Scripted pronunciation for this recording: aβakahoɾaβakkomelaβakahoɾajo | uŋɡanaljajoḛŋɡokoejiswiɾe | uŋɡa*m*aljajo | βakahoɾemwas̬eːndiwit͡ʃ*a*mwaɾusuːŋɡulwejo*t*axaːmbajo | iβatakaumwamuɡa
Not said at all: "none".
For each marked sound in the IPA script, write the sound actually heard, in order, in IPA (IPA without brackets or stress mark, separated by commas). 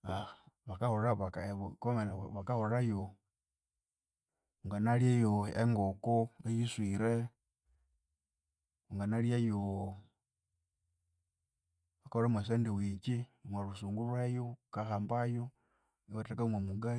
n, i, k